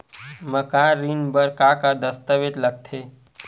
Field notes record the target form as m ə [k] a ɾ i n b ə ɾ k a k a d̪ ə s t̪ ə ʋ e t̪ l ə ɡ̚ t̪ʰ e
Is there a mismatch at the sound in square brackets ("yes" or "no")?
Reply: no